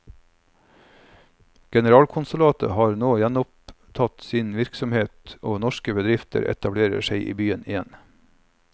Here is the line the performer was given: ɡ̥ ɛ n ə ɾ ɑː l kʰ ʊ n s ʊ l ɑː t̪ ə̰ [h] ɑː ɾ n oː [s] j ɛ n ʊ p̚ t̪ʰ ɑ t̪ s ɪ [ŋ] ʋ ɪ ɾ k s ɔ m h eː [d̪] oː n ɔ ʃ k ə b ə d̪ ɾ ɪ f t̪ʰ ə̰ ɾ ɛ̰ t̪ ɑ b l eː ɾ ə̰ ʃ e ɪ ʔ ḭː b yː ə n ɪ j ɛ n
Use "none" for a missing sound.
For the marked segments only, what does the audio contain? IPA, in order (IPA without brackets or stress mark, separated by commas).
h, none, n, t̪